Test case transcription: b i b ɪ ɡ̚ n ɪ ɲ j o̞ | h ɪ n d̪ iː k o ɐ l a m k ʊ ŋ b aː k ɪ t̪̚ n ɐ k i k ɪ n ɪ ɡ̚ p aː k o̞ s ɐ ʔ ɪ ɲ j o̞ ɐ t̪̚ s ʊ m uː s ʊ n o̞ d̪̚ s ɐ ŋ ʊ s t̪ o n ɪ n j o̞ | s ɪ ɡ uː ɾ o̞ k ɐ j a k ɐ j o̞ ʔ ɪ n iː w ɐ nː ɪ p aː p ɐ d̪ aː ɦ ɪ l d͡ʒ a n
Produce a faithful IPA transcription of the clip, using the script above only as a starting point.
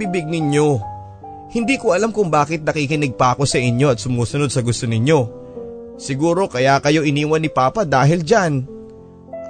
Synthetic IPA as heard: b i b ɪ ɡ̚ n ɪ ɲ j o̞ | h ɪ n d̪ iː k o ɐ l a m k ʊ ŋ b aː k ɪ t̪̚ n ɐ k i k ɪ n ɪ ɡ̚ p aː k o̞ s ɐ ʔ ɪ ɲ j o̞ ɐ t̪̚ s ʊ m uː s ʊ n o̞ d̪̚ s ɐ ɡ ʊ s t̪ o n ɪ ɲ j o̞ | s ɪ ɡ uː ɾ o̞ k ɐ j a k ɐ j o̞ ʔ ɪ n iː w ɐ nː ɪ p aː p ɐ d̪ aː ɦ ɪ l d͡ʒ a n